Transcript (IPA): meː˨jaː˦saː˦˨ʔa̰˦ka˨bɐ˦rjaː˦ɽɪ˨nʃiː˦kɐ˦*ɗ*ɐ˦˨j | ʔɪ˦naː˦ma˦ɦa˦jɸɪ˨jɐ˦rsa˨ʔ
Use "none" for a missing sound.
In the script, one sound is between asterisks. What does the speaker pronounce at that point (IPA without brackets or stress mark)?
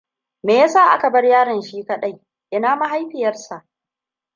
ɗ